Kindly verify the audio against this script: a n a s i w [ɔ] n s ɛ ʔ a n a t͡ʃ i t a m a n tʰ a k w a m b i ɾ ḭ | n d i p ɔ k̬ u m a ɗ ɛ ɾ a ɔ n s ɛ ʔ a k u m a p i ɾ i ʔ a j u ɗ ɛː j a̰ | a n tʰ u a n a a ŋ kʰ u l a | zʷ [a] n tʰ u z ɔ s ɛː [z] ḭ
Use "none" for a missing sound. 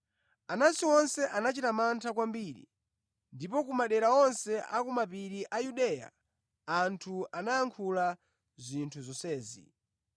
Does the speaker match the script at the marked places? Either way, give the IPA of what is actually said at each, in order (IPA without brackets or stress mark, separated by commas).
ɔ, i, z